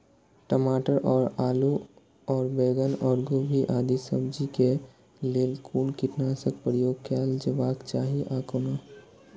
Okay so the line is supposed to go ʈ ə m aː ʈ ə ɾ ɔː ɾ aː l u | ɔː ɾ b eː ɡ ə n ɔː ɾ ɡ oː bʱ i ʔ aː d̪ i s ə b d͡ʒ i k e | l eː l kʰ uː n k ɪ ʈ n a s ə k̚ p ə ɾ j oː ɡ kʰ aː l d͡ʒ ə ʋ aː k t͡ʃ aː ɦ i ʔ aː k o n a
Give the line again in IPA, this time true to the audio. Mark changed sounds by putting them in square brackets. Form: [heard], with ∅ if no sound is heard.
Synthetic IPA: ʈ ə m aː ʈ ə ɾ ɔː ɾ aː l u | ɔː ɾ b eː ɡ ə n ɔː ɾ ɡ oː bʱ i ʔ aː d̪ i s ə b d͡ʒ i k e | l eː l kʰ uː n k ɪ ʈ n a s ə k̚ p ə ɾ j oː ɡ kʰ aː l d͡ʒ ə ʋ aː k t͡ʃ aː ɦ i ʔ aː k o n a